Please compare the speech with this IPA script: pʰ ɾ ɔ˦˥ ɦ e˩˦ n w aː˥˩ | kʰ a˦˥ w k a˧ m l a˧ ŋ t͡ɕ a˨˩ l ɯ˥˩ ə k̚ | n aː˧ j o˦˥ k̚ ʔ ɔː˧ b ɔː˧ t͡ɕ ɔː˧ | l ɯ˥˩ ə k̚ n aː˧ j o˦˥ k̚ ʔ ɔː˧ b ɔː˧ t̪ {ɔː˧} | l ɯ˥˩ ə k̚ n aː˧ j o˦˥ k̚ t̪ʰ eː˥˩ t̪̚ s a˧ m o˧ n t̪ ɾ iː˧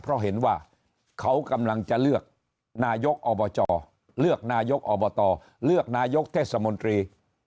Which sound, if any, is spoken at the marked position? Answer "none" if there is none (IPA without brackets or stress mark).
ɔː˧